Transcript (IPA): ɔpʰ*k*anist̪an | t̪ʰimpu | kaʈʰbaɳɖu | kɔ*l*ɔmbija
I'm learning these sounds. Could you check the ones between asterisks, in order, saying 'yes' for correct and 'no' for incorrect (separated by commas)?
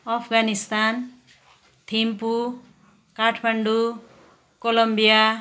no, yes